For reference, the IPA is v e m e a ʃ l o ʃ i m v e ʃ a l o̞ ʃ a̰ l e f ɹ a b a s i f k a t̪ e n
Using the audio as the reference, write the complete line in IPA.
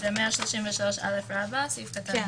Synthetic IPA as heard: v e m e a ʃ l o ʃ i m v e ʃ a l o̞ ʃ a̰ l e f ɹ a b a s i f k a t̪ a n